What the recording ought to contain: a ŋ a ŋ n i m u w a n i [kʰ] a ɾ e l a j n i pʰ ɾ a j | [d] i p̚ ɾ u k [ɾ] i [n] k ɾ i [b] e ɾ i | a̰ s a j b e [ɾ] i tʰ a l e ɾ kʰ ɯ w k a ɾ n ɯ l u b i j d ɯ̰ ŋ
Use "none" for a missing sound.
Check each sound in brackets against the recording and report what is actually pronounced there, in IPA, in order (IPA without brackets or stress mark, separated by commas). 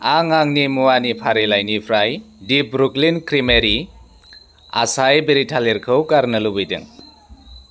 pʰ, d, l, n, m, ɾ